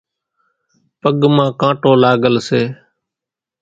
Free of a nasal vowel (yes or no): no